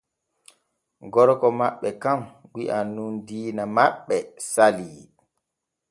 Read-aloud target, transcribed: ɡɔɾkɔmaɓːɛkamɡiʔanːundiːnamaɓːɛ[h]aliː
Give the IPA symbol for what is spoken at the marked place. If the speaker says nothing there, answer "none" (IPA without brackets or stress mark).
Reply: s